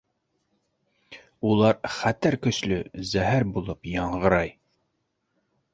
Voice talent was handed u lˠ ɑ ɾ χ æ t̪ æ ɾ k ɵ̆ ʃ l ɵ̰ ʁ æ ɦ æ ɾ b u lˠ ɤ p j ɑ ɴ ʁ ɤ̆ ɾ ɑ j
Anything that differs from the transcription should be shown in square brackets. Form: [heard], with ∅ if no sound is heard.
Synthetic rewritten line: u lˠ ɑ ɾ χ æ t̪ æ ɾ k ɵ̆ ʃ l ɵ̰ [z] æ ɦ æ ɾ b u lˠ ɤ p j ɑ ɴ ʁ ɤ̆ ɾ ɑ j